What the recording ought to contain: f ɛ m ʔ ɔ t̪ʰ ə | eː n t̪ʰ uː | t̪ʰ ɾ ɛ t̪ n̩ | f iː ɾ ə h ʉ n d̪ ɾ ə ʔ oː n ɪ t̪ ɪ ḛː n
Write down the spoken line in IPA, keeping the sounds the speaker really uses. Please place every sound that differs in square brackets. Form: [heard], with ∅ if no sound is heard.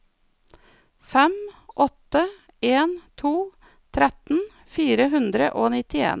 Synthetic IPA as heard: f ɛ m ʔ ɔ [t̪] ə | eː n t̪ʰ uː | t̪ʰ ɾ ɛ t̪ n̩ | f iː ɾ ə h ʉ n d̪ ɾ ə ʔ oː n ɪ t̪ ɪ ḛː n